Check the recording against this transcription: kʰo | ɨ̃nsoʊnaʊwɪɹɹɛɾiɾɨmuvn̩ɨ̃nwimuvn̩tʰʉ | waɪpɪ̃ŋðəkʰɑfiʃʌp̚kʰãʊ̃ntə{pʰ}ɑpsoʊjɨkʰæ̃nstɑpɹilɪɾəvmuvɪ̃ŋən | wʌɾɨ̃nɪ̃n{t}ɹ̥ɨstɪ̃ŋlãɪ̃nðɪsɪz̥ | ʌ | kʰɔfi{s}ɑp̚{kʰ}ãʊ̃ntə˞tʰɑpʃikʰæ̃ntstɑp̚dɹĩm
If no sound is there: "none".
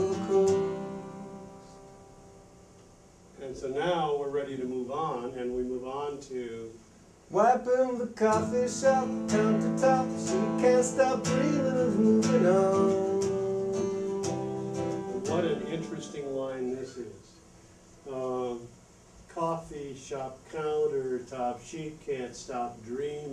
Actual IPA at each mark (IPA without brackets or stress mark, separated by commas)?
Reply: tʰ, t͡ʃ, ʃ, kʰ